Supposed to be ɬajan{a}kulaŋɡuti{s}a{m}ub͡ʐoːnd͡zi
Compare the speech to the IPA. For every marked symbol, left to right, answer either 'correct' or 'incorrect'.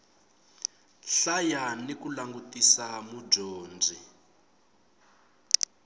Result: incorrect: i, correct, correct

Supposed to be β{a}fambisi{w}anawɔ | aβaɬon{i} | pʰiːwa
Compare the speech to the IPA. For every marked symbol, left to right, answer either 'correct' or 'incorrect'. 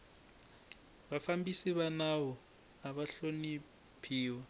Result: correct, incorrect: β, correct

